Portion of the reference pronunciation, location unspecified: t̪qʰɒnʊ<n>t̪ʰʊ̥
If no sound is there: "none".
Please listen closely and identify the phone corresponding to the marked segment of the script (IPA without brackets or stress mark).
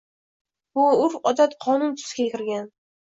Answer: n